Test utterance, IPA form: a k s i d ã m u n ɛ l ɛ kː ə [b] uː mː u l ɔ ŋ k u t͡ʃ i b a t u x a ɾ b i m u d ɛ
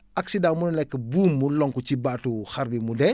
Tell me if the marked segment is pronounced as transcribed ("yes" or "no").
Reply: yes